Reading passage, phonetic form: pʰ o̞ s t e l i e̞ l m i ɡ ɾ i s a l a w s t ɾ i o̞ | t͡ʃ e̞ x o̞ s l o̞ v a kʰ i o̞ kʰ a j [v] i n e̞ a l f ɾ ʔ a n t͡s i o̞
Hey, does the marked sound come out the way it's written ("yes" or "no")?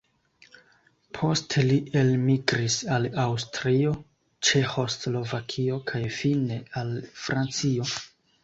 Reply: no